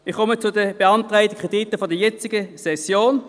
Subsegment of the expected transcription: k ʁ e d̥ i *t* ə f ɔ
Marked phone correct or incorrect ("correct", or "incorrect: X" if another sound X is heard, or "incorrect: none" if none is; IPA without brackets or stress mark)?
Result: correct